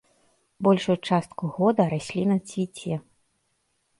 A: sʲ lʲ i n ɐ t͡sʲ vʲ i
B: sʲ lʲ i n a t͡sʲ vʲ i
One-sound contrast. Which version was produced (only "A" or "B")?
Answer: A